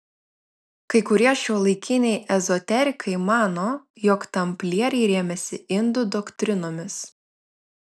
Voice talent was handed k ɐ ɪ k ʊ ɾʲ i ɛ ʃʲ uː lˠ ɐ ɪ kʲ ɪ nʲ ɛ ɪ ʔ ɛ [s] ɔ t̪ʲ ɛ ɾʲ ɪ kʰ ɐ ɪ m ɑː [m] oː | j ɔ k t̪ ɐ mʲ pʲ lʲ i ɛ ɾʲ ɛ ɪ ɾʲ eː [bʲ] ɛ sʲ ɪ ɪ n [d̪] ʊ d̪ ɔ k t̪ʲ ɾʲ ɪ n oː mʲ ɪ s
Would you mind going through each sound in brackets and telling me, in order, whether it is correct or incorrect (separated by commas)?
incorrect, incorrect, incorrect, correct